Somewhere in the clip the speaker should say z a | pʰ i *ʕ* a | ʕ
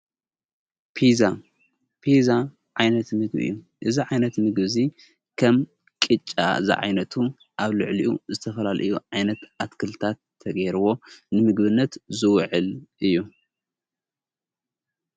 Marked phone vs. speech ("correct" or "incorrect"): incorrect